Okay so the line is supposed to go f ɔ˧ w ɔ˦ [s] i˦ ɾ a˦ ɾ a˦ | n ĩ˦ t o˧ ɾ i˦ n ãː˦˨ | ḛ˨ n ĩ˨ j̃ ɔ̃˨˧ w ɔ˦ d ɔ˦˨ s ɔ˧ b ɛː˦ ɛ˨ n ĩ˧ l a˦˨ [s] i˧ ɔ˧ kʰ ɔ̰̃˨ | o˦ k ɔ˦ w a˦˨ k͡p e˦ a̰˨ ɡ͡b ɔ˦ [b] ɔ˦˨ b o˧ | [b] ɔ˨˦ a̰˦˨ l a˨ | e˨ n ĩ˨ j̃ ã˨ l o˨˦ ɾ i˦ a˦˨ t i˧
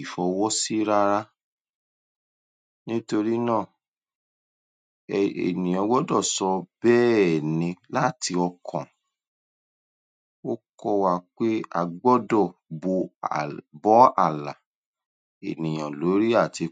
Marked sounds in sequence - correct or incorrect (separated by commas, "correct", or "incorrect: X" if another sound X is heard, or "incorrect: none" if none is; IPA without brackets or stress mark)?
correct, incorrect: t, incorrect: d, correct